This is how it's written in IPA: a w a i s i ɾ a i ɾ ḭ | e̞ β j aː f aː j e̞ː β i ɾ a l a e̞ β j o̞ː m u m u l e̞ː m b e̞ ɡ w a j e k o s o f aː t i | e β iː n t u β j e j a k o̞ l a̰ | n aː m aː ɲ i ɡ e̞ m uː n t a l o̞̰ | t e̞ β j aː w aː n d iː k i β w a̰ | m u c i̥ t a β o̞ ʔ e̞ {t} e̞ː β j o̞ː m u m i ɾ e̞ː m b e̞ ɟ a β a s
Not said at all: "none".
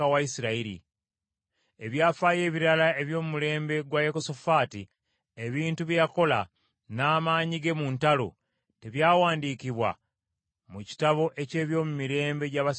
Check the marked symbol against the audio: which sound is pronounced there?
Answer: c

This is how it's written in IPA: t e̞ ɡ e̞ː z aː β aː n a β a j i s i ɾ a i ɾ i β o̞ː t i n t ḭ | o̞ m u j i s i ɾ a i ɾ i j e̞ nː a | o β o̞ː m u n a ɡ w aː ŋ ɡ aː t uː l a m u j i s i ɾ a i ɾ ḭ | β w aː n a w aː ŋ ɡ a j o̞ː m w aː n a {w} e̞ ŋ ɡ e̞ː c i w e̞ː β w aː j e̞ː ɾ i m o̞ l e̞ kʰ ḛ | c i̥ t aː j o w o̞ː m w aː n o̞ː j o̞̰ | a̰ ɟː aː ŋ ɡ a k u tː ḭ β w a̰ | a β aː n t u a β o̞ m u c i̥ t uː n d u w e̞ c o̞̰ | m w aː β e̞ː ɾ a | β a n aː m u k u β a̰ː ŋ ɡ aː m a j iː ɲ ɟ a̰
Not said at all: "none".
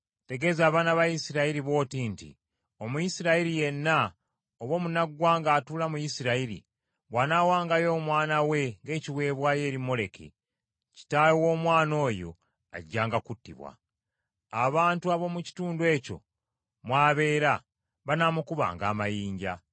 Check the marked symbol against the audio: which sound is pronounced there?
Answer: w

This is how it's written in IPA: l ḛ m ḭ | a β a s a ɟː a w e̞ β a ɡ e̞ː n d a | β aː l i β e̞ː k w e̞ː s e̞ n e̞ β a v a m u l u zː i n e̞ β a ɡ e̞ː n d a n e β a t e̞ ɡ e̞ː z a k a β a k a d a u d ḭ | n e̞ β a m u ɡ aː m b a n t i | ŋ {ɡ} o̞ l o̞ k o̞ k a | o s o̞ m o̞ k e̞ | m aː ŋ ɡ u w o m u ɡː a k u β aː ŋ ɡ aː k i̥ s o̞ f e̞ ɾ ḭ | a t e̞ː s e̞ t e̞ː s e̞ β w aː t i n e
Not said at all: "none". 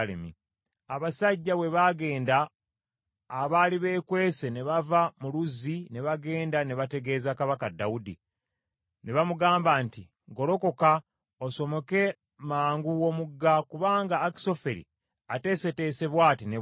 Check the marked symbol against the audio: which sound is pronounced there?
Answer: ɡ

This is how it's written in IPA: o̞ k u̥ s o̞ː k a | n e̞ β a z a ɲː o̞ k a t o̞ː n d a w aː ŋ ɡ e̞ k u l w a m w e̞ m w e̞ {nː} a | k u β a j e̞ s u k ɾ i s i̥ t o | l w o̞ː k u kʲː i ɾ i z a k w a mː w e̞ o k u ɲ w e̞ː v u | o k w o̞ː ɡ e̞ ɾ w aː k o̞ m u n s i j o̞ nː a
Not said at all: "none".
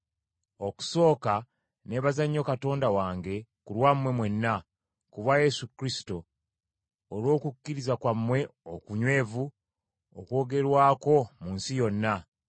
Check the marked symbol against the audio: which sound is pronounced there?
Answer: nː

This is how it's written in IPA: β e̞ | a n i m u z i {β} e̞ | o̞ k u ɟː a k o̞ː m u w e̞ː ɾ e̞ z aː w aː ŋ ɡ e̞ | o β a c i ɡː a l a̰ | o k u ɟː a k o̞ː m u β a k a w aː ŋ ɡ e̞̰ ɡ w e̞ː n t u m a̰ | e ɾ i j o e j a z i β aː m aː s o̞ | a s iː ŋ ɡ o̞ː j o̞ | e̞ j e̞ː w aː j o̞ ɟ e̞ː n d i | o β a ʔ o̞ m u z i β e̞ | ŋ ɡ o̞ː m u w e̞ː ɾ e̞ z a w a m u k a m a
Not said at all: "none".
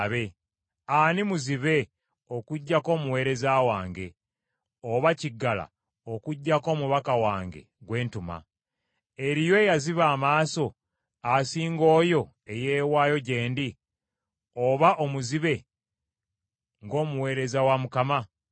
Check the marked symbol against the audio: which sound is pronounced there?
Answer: β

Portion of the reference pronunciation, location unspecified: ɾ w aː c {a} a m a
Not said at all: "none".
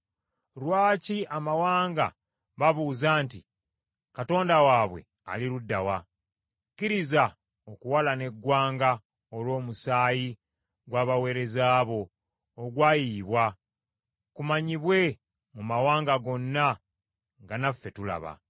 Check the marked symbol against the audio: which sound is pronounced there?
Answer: i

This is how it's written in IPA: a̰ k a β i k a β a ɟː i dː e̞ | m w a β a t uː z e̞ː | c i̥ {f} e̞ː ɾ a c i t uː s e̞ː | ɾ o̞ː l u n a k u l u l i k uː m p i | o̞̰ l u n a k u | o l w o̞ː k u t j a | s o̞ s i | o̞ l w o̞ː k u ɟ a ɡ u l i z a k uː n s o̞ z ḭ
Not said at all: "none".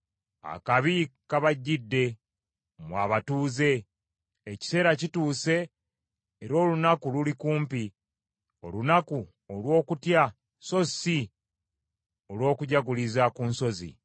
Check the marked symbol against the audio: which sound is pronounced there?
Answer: s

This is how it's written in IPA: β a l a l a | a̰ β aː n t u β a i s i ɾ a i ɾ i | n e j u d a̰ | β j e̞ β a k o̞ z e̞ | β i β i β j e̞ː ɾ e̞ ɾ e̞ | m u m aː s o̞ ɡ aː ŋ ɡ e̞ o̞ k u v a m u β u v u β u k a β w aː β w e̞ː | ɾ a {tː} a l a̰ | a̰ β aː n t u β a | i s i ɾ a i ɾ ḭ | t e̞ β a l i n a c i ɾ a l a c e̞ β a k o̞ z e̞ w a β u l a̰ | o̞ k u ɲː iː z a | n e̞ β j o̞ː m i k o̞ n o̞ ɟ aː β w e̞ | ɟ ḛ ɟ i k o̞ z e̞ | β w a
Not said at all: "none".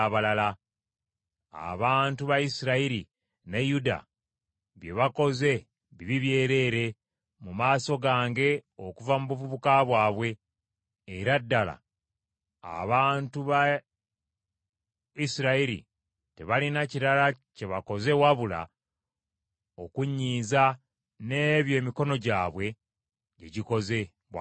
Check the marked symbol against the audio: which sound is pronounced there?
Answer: dː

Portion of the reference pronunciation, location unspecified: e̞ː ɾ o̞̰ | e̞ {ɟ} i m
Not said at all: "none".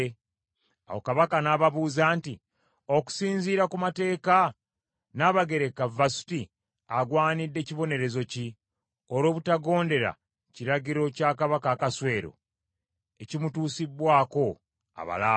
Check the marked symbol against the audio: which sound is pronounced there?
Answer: c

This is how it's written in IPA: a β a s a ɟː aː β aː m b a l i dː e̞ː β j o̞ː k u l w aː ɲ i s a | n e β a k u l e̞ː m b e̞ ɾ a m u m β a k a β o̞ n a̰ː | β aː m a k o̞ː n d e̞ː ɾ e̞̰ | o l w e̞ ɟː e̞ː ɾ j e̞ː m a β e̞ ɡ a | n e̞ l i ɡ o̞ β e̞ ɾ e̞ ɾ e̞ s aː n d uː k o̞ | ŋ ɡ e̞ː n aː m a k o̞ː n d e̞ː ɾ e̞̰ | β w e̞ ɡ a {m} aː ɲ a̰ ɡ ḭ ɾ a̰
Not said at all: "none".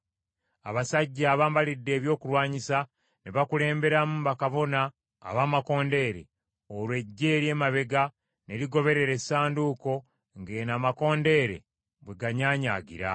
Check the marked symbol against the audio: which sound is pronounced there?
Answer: ɲ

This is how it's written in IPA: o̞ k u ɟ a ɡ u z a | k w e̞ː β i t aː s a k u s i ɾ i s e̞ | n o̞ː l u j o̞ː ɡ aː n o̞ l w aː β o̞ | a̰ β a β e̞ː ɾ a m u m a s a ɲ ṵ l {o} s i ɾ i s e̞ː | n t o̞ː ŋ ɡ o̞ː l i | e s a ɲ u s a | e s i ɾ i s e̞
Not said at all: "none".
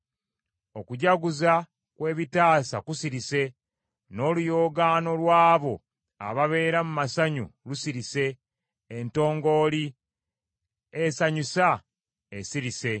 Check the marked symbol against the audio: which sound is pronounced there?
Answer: u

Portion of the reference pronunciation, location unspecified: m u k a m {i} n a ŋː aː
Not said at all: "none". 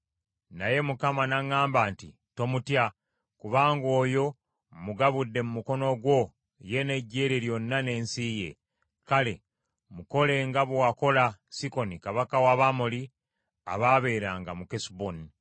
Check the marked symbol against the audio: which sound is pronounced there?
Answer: a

